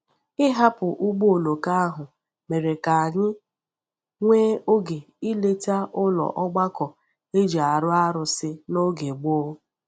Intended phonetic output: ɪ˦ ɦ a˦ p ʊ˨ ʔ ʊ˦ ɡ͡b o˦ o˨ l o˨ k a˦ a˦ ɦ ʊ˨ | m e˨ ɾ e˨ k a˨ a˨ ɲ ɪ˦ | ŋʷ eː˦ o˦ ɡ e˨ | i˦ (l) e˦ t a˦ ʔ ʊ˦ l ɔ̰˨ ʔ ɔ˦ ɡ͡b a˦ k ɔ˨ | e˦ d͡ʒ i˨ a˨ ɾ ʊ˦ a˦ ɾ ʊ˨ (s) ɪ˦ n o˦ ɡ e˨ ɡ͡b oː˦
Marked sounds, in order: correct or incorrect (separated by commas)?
correct, correct